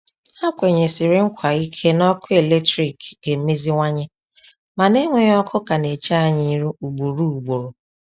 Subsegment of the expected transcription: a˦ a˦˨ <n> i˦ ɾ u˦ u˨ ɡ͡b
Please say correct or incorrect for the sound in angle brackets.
incorrect